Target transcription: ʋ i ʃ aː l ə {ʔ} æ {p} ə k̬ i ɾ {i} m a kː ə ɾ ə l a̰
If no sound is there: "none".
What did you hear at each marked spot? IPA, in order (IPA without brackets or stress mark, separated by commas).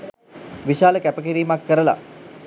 k, p, iː